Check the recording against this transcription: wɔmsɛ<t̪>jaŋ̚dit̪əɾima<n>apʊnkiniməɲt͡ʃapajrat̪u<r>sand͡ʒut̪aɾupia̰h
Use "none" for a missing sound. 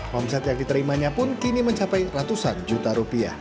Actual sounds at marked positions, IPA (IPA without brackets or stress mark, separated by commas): t̪, ɲ, none